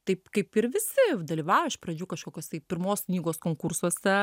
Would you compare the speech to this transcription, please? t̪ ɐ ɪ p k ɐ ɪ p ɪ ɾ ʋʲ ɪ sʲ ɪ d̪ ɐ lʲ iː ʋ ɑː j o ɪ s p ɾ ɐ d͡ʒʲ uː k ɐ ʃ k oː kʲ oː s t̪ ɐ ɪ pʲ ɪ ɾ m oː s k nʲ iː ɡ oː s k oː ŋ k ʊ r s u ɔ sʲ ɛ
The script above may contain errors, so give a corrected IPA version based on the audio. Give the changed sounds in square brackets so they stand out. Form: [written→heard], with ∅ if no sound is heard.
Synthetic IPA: t̪ ɐ ɪ p k ɐ ɪ p ɪ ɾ ʋʲ ɪ sʲ ɪ d̪ ɐ lʲ iː ʋ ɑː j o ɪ [s→ʃ] p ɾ ɐ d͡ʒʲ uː k ɐ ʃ k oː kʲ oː s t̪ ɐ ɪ pʲ ɪ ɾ m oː s k nʲ iː ɡ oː s k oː ŋ k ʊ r s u ɔ sʲ ɛ